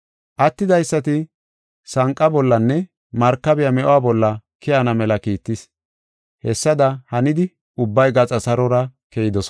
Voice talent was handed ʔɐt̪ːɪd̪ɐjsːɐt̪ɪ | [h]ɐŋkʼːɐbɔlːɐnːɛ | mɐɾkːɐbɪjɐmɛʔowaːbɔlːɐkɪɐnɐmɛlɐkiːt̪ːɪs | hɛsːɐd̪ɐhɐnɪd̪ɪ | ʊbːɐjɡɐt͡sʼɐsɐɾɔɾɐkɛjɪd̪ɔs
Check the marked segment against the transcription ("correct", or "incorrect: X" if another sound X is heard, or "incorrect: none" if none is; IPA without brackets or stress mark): incorrect: s